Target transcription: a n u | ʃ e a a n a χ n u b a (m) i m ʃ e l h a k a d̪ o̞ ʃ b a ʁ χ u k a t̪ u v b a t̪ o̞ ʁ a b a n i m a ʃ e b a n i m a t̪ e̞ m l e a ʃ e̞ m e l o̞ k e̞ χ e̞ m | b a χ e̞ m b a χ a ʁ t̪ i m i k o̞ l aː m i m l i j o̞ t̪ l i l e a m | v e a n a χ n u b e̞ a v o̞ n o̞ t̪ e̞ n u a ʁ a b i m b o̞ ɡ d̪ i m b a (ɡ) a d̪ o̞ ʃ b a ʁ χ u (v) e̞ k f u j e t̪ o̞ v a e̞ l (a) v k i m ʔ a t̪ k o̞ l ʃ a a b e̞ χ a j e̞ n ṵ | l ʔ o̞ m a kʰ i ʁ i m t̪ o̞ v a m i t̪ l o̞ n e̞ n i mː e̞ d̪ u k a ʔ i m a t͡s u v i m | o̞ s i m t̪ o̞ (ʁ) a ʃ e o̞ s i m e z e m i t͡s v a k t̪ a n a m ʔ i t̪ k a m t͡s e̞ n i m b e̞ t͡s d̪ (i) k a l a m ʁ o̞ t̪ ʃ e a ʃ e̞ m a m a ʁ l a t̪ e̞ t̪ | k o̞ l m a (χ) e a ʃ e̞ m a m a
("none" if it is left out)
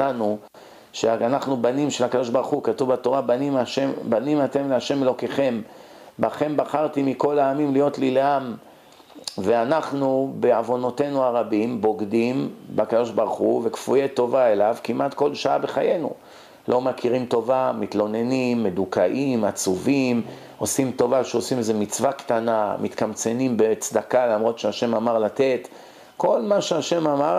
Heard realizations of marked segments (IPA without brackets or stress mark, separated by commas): n, k, v, a, v, a, ʃ